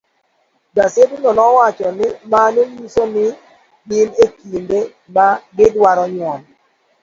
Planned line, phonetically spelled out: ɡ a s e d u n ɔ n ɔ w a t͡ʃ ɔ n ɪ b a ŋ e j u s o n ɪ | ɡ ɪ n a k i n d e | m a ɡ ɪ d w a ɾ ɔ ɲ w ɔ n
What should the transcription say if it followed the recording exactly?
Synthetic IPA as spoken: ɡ a s e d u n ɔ n ɔ w a t͡ʃ ɔ n ɪ m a n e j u s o n ɪ | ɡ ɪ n e k i n d e | m a ɡ ɪ d w a ɾ ɔ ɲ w ɔ n